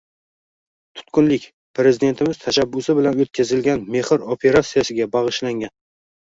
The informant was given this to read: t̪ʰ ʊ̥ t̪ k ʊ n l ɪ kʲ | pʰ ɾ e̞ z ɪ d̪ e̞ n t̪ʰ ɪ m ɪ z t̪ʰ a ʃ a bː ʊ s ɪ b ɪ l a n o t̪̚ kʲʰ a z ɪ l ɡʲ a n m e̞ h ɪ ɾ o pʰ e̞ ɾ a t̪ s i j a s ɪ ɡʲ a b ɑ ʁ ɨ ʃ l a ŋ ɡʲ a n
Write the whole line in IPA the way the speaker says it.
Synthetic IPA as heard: t̪ʰ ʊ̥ t̪ k ʊ n l ɪ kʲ | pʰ ɾ e̞ z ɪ d̪ e̞ n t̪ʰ ɪ m ɪ z t̪ʰ a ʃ a bː ʊ s ɪ b ɪ l a n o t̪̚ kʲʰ a z ɪ l ɡʲ a n m e̞ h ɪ ɾ o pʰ e̞ ɾ a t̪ s i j a s ɪ ɡʲ a b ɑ ʁ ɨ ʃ l a ŋ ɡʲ a n